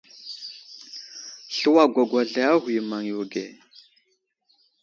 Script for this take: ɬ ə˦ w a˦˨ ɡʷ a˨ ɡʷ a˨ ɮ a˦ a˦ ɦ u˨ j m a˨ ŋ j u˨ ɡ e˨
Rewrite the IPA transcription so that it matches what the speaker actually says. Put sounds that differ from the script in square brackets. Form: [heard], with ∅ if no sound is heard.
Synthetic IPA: ɬ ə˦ w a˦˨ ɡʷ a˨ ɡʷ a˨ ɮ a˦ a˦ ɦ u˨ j m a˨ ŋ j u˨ ɡ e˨

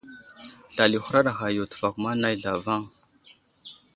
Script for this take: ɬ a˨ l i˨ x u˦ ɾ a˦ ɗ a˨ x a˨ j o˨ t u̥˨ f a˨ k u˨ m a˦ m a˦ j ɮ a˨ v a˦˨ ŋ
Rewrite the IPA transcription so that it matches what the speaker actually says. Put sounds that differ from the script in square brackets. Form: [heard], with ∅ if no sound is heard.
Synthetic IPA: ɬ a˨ l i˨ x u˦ ɾ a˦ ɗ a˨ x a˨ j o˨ t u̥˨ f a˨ k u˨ m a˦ [n] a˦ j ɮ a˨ v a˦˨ ŋ

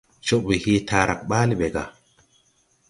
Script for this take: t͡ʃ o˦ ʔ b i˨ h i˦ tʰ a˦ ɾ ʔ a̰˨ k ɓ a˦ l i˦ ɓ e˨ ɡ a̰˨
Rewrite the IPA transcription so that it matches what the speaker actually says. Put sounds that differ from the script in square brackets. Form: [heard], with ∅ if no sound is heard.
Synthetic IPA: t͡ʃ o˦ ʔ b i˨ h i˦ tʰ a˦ ɾ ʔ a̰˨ k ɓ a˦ l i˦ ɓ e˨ ɡ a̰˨

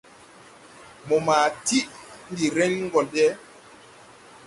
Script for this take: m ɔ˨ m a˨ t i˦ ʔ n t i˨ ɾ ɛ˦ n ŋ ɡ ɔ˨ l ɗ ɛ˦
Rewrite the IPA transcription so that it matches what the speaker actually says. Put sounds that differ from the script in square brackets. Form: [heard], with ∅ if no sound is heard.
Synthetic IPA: m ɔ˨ m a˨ t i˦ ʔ n [d] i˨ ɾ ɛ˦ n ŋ ɡ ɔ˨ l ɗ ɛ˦

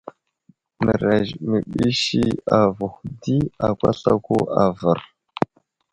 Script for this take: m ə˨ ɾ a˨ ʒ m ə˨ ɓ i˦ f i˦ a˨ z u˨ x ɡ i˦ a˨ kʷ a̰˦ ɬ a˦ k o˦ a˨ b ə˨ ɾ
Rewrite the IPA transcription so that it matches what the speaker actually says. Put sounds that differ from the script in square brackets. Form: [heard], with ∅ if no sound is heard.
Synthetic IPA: m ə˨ ɾ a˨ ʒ m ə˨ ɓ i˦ [ʃ] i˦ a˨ [v] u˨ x [d] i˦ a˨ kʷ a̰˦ ɬ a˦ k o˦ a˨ [v] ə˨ ɾ

